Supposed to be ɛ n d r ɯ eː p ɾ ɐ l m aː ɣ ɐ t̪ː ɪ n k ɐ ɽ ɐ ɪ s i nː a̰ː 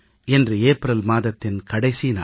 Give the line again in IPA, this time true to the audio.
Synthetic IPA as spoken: ɛ n d r ɯ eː p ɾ ɐ l m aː ð ɐ t̪ː ɪ n k ɐ ɽ ɐ ɪ s i n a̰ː